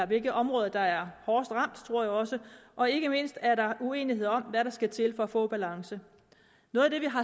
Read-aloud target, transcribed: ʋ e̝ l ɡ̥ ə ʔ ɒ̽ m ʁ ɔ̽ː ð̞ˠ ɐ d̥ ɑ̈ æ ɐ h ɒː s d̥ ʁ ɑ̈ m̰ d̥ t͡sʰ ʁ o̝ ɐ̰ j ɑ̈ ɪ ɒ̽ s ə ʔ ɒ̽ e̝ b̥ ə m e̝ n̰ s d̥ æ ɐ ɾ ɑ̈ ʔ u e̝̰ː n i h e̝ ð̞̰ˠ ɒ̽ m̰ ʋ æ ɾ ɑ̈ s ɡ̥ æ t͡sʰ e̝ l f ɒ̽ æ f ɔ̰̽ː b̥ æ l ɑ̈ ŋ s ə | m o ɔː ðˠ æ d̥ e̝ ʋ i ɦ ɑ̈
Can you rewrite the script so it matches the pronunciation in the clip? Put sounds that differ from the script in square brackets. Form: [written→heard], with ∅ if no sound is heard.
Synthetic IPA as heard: ʋ e̝ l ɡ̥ ə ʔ ɒ̽ m ʁ ɔ̽ː ð̞ˠ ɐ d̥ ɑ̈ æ ɐ h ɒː s d̥ ʁ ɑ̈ m̰ d̥ t͡sʰ ʁ o̝ ɐ̰ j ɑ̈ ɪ ɒ̽ s ə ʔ ɒ̽ e̝ [b̥→ɡ̥] ə m e̝ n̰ s d̥ æ ɐ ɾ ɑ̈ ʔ u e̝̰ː n i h e̝ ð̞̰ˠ ɒ̽ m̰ ʋ æ ɾ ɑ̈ s ɡ̥ æ t͡sʰ e̝ l f ɒ̽ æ f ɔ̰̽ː b̥ æ l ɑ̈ ŋ s ə | [m→n] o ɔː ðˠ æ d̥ e̝ ʋ i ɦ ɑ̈